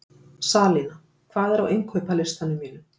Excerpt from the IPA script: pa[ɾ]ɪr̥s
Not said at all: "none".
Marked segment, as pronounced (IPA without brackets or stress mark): l